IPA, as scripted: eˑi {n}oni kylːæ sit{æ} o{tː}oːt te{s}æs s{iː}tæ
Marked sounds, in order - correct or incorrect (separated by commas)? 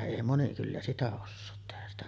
incorrect, correct, incorrect, incorrect, incorrect